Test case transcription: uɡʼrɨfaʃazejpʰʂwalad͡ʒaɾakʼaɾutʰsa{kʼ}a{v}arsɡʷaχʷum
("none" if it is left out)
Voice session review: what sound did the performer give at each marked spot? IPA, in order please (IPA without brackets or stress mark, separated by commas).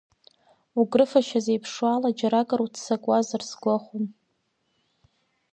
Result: kʼ, z